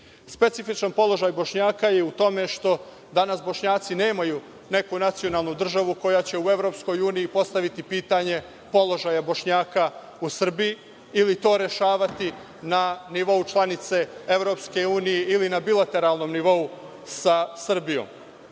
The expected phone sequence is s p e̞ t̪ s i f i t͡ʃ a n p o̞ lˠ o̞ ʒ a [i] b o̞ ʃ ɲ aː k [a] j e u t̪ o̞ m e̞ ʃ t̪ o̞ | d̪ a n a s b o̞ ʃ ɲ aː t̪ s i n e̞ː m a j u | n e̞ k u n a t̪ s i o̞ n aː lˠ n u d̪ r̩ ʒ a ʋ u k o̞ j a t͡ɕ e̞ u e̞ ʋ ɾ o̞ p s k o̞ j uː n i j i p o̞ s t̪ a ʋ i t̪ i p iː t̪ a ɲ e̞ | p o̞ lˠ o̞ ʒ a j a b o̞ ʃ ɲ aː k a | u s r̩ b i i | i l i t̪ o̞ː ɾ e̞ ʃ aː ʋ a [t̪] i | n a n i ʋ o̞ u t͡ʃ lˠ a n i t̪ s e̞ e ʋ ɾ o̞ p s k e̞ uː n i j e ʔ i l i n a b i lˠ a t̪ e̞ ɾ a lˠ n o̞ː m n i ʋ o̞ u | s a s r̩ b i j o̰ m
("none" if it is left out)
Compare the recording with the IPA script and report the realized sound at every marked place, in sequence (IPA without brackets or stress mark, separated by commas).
j, a, t̪